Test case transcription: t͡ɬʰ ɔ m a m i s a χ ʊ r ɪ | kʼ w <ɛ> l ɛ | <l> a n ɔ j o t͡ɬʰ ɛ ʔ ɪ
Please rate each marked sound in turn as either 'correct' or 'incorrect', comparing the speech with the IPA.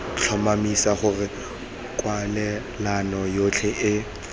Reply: incorrect, correct

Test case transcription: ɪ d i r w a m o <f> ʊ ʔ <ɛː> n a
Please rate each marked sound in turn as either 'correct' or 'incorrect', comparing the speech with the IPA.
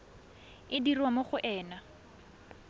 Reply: incorrect, correct

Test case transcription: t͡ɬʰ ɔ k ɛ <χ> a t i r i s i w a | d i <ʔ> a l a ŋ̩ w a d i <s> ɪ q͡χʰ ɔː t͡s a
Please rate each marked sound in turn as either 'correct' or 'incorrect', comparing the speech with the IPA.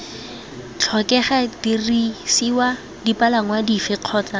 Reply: correct, incorrect, incorrect

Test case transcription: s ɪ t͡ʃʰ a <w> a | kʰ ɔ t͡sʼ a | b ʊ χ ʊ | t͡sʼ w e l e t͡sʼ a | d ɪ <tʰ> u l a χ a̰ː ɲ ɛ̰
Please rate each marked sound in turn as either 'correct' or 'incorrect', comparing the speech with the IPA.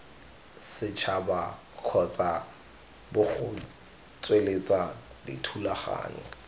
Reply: incorrect, correct

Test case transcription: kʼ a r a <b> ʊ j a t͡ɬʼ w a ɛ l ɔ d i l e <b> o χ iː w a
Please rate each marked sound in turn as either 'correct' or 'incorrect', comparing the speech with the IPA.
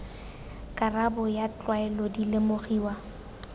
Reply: correct, incorrect

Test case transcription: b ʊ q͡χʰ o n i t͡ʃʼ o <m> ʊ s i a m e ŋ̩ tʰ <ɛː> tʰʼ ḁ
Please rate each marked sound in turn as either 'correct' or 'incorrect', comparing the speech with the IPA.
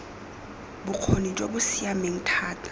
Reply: incorrect, incorrect

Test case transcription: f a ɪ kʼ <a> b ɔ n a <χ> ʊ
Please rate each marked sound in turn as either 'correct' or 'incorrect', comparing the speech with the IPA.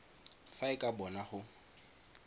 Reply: correct, correct

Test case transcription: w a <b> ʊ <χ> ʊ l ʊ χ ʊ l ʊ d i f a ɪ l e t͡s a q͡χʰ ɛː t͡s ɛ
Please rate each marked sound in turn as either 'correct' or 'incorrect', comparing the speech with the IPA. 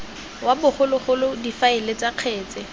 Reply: correct, correct

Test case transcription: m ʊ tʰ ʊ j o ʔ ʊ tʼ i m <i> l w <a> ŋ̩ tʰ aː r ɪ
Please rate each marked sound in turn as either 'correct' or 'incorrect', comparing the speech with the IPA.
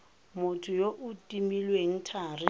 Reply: correct, incorrect

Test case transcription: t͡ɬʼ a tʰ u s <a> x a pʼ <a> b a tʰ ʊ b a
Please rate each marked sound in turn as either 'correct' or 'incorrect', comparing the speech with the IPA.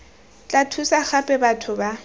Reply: correct, incorrect

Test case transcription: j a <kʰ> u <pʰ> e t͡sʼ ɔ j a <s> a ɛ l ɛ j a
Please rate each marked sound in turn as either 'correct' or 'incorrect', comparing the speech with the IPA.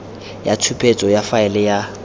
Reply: incorrect, correct, incorrect

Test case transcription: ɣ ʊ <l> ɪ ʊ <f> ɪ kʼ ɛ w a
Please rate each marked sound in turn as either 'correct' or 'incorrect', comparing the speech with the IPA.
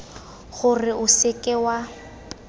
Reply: incorrect, incorrect

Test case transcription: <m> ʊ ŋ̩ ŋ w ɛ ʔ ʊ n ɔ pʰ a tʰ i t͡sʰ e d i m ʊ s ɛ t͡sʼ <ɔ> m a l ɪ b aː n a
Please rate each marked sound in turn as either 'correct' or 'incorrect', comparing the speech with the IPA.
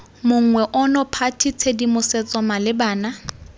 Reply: correct, correct

